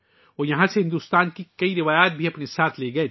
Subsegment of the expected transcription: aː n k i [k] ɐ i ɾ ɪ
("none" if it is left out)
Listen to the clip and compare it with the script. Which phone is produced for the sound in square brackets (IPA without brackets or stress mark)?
k